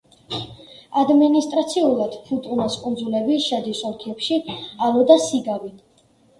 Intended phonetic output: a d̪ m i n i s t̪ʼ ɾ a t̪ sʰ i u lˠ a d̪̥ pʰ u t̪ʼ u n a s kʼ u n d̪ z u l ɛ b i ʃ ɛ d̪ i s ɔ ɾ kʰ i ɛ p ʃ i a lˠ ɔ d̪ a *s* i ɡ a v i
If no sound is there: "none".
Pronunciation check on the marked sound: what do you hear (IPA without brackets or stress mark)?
s